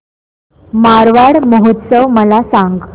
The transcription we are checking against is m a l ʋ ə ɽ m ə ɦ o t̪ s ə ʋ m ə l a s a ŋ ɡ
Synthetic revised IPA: m a ɾ ʋ a ɽ m ə ɦ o t̪ s ə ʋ m ə l a s a ŋ ɡ